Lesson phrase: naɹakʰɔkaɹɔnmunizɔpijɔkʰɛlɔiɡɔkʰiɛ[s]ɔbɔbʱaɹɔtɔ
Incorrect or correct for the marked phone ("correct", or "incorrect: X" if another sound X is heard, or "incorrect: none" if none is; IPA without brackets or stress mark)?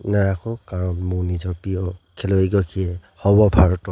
incorrect: h